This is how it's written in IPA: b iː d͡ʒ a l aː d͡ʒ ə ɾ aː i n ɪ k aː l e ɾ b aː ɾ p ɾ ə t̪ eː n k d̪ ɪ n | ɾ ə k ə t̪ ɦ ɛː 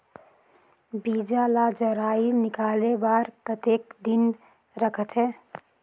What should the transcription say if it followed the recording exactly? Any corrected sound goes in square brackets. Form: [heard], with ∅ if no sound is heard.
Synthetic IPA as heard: b iː d͡ʒ a l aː d͡ʒ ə ɾ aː i n ɪ k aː l e [∅] b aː ɾ p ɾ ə t̪ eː [∅] k d̪ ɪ n | ɾ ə [kʰ] ə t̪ ɦ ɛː

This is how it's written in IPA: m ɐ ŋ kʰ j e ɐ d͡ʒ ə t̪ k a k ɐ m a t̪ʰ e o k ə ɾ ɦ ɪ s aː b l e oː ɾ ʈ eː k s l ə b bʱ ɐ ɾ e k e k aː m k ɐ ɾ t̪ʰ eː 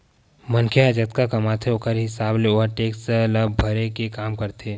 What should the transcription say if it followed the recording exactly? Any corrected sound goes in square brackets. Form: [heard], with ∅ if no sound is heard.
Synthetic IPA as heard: m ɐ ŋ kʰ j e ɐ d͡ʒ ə t̪ k a k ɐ m a t̪ʰ e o k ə ɾ ɦ ɪ s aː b l e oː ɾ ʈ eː k s l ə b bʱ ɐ ɾ e k e k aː m k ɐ ɾ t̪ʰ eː

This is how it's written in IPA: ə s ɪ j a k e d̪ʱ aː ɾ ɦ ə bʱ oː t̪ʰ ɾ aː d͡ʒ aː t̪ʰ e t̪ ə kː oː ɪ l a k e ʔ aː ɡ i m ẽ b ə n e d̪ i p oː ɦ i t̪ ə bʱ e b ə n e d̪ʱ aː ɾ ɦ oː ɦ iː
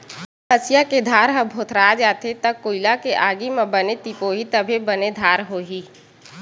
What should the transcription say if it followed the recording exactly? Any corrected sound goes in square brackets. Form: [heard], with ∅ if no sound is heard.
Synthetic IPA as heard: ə s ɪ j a k e d̪ʱ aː ɾ ɦ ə bʱ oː t̪ʰ ɾ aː d͡ʒ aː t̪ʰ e t̪ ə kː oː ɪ l a k e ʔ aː ɡ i m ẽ b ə n e [t̪] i p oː ɦ i t̪ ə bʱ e b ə n e d̪ʱ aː ɾ ɦ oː ɦ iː

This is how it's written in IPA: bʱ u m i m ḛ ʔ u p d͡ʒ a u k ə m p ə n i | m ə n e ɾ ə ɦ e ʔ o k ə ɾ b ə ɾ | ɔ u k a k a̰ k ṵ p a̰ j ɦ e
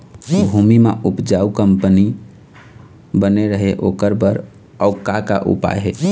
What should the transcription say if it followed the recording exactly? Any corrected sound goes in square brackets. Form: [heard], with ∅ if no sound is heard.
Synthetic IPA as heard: bʱ u m i m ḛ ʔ u p d͡ʒ a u k ə m p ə n i | [b] ə n e ɾ ə ɦ e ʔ o k ə ɾ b ə ɾ | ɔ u k a k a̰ [ʔ] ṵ p a̰ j ɦ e

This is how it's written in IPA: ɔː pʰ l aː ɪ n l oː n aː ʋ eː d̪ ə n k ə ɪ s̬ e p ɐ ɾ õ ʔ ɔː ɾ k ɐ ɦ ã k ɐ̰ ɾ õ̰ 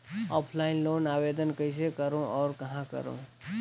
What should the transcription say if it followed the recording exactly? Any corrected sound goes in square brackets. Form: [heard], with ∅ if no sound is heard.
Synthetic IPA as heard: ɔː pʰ l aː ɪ n l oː n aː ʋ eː d̪ ə n k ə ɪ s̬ e [k] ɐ ɾ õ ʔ ɔː ɾ k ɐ ɦ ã k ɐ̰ ɾ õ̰

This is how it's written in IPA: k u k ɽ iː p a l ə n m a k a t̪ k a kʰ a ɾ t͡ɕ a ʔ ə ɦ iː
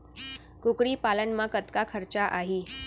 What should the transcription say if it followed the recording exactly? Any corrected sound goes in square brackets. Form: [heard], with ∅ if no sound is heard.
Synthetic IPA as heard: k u k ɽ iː p a l ə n m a k [ə] t̪ k a kʰ [ə] ɾ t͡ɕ a ʔ [a] ɦ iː

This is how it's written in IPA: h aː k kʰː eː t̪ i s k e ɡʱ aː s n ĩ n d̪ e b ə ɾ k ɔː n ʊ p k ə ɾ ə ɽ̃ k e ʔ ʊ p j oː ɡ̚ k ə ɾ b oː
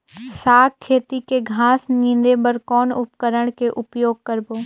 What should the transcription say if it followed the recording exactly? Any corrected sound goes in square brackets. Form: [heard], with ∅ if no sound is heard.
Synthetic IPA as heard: [s] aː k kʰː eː t̪ i [∅] k e ɡʱ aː s n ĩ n d̪ e b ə ɾ k ɔː n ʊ p k ə ɾ ə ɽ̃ k e ʔ ʊ p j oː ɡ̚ k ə ɾ b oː

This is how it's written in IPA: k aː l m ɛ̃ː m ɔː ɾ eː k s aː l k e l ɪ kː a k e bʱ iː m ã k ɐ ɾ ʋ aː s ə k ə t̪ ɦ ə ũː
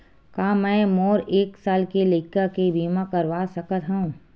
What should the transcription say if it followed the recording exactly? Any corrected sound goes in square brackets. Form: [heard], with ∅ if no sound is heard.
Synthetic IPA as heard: k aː [∅] m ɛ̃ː m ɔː ɾ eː k s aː l k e l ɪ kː a k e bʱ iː m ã k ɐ ɾ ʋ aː s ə k ə t̪ ɦ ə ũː

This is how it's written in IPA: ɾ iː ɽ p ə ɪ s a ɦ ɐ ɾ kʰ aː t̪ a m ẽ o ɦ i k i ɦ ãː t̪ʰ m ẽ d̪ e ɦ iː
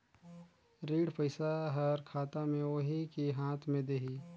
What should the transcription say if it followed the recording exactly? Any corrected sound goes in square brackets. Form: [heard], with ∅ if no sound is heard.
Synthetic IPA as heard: ɾ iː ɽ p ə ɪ s a ɦ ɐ ɾ kʰ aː t̪ a m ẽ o ɦ i k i ɦ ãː t̪ʰ m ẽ d̪ e ɦ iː

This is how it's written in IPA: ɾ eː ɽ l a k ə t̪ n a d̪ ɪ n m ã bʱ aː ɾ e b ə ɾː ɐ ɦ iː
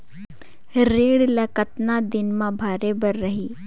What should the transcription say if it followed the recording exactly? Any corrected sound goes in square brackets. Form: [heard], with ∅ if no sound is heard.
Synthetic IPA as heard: ɾ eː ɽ l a k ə t̪ n a d̪ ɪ n m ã bʱ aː ɾ e b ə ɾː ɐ ɦ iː

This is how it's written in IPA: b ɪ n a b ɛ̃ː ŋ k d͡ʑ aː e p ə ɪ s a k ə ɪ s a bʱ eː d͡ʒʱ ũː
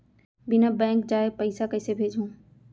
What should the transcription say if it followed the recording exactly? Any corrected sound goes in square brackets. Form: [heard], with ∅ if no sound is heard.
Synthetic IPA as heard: b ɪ n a b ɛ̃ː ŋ k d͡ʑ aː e p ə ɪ s a k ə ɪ s [e] bʱ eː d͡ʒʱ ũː

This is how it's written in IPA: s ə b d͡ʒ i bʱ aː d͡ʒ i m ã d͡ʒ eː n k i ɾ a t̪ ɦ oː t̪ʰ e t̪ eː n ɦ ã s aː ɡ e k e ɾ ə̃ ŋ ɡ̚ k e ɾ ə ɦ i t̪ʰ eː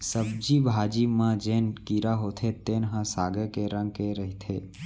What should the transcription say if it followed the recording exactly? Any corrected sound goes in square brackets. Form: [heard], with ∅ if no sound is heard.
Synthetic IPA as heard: s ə b d͡ʒ i bʱ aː d͡ʒ i m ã d͡ʒ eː n k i ɾ a [∅] ɦ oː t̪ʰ e t̪ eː n ɦ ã s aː ɡ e k e ɾ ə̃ ŋ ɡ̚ k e ɾ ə ɦ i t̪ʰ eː

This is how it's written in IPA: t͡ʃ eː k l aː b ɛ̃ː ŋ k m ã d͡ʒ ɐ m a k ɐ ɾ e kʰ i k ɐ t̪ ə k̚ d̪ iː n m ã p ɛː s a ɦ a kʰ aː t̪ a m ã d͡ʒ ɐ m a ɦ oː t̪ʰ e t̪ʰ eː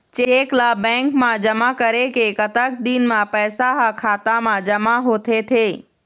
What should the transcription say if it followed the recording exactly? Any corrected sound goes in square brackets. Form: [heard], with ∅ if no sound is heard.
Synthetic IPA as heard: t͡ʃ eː k l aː b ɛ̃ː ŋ k m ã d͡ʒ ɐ m a k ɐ ɾ e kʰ [e] k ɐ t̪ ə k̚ d̪ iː n m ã p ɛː s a ɦ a kʰ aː t̪ a m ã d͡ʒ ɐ m a ɦ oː t̪ʰ e t̪ʰ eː

